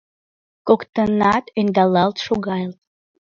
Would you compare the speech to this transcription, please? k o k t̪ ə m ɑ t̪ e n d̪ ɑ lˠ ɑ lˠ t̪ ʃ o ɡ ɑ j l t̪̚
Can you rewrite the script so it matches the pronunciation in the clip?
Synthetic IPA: k o k t̪ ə n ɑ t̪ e n d̪ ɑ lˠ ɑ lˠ t̪ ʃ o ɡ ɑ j l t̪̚

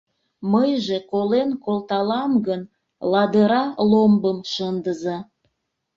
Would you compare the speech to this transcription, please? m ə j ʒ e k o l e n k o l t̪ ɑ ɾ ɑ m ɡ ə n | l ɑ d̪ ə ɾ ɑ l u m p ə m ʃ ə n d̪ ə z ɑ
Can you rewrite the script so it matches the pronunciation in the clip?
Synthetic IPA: m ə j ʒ e k o l e n k o l t̪ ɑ l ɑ m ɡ ə n | l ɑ d̪ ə ɾ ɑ l o m b ə m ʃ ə n d̪ ə z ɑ

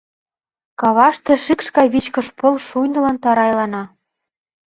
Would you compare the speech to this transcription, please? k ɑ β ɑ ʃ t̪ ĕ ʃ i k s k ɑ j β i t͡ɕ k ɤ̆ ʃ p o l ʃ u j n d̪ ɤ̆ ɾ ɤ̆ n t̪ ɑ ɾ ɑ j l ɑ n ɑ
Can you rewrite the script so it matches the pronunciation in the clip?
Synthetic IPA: k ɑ β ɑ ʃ t̪ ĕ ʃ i k ʃ k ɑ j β i t͡ɕ k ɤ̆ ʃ p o l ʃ u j n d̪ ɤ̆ l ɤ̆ n t̪ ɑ ɾ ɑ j l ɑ n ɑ

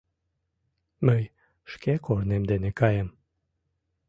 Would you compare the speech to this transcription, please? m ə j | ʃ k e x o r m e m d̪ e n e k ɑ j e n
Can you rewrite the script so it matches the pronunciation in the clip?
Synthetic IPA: m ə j | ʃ k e k o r n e m d̪ e n e k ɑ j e m

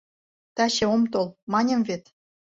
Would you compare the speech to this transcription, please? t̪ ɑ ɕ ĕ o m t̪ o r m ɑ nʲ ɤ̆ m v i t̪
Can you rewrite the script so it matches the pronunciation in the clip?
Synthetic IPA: t̪ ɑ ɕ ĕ o m t̪ o l m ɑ nʲ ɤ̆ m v e t̪

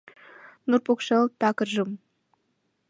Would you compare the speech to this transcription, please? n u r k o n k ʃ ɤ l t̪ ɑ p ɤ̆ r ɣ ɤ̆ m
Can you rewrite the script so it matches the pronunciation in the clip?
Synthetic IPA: n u r p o k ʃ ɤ l t̪ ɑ k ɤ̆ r ʒ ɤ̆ m

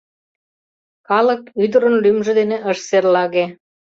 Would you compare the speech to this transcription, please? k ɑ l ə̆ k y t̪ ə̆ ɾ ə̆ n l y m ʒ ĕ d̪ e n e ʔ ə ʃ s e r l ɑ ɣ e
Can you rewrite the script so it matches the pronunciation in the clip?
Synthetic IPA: k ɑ l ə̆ k y d̪ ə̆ ɾ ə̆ n l y m ʒ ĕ d̪ e n e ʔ ə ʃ s e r l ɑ ɣ e

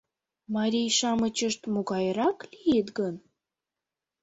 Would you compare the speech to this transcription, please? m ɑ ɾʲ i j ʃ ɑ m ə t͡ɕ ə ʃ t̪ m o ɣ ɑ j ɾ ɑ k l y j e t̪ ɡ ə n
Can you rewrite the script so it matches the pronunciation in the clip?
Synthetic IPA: m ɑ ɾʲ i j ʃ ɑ m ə t͡ɕ ə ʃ t̪ m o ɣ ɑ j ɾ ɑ k l i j e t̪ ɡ ə n

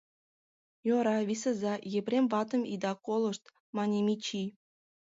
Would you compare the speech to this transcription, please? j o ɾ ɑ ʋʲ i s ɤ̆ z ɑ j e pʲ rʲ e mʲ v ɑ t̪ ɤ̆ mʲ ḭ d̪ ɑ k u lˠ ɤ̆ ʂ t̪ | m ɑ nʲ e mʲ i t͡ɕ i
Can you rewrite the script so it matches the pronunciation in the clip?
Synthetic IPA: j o ɾ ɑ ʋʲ i s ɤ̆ z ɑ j e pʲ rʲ e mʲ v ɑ t̪ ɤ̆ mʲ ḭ d̪ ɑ k o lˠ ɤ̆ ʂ t̪ | m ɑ nʲ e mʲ i t͡ɕ i

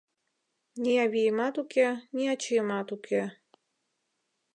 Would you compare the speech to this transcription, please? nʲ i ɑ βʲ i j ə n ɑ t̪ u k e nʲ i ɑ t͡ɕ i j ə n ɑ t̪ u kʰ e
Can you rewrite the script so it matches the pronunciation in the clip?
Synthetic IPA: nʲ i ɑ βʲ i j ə m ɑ t̪ u k e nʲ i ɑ t͡ɕ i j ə m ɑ t̪ u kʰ e

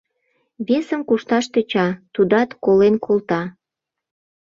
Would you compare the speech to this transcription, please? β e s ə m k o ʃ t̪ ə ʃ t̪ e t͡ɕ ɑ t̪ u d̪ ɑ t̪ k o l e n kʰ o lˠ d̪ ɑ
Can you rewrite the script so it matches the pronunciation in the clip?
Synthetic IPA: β e s ə m k u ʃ t̪ ɑ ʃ t̪ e t͡ɕ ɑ t̪ u d̪ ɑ t̪ k o l e n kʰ o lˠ t̪ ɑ

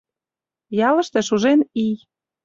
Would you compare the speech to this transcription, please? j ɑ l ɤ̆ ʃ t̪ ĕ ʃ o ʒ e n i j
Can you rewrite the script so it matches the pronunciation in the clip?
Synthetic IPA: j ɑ l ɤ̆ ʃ t̪ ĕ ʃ u ʒ e n i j

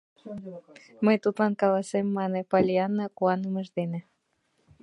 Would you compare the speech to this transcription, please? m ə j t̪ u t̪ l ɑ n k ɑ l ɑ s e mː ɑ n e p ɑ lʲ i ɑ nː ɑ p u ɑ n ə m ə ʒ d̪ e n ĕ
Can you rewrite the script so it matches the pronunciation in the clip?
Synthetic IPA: m ə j t̪ u t̪ l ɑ n k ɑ l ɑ s e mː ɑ n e p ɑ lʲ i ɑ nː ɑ k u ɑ n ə m ə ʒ d̪ e n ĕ

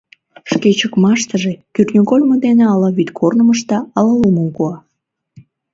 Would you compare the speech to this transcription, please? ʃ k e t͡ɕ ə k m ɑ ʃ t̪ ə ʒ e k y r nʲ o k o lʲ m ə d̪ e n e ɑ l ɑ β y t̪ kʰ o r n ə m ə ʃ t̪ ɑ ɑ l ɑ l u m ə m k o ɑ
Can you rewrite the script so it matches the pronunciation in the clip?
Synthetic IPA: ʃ k e t͡ɕ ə k m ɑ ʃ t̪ ə ʒ e k y r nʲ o k o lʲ m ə d̪ e n e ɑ l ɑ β y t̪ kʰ o r n ə m ə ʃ t̪ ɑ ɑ l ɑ l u m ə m k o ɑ

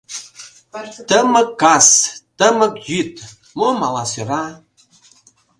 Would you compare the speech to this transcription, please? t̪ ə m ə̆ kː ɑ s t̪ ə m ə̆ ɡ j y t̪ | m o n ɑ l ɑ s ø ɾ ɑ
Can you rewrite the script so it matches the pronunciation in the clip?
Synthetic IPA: t̪ ə m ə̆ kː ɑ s t̪ ə m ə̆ k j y t̪ | m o m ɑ l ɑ s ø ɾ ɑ

